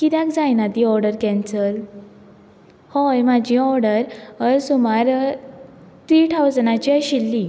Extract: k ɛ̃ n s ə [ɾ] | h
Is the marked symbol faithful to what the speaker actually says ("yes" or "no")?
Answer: no